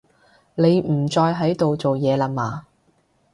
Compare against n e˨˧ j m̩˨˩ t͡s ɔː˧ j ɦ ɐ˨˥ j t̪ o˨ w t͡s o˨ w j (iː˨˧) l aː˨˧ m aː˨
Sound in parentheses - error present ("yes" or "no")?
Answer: yes